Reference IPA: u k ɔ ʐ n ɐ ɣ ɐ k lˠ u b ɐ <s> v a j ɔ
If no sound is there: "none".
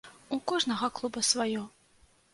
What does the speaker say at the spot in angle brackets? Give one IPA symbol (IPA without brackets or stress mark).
s